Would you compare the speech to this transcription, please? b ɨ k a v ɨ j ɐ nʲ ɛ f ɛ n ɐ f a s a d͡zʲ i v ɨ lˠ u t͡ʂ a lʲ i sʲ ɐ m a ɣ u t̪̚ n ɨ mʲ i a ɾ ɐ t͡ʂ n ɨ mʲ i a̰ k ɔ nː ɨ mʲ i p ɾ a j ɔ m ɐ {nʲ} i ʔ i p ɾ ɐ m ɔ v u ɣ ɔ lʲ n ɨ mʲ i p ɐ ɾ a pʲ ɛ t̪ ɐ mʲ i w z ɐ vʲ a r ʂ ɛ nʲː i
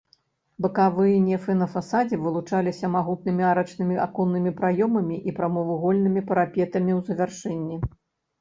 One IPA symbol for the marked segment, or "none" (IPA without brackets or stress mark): mʲ